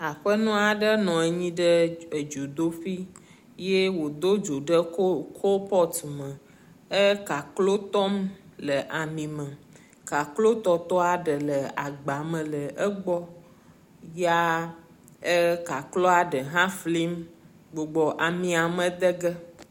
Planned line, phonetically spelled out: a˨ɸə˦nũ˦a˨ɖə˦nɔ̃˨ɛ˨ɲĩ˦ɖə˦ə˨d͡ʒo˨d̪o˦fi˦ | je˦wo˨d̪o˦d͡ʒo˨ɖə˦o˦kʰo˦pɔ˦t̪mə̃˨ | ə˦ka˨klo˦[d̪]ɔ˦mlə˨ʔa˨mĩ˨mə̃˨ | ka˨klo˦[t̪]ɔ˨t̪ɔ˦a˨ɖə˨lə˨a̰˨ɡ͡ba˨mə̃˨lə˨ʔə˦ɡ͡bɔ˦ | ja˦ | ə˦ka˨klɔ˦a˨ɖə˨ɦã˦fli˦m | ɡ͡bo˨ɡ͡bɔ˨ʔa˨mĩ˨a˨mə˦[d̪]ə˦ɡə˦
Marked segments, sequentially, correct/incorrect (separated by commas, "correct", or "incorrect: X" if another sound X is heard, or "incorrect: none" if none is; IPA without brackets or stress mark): incorrect: t̪, correct, correct